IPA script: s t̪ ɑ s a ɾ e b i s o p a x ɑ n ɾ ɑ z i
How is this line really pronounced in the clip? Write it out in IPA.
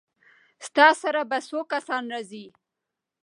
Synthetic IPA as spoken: s t̪ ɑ s a ɾ a b a s o k a s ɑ n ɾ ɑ z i